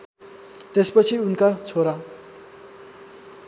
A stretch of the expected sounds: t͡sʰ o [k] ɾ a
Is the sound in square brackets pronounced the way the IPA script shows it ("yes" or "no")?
no